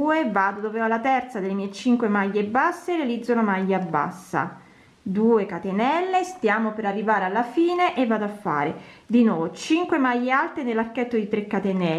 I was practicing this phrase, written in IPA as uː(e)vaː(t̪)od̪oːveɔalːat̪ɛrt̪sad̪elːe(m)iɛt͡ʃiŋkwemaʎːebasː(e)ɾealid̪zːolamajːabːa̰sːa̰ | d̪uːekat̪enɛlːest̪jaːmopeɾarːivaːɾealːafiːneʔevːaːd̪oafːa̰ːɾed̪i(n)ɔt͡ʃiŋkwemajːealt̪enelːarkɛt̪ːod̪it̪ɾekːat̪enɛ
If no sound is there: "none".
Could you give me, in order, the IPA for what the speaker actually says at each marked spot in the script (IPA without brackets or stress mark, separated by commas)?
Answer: e, d̪, m, e, n